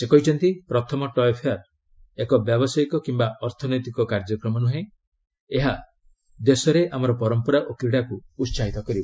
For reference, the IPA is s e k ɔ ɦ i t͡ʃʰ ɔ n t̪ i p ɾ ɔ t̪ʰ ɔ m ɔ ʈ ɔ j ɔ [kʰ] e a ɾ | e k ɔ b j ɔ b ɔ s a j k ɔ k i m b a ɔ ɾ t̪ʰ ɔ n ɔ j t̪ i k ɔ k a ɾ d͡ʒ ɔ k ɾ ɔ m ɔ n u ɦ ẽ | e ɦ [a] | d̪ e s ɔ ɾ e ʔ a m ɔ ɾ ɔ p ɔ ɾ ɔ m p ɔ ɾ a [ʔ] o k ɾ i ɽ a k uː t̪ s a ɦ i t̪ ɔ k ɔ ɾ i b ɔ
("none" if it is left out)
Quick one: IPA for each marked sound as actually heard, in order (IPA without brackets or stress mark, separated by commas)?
pʰ, a, ʔ